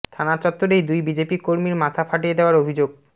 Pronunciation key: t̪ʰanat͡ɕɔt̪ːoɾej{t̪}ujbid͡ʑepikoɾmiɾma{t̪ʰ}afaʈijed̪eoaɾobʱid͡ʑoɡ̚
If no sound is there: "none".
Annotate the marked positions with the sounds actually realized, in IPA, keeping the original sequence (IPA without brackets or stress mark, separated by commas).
d̪, t̪ʰ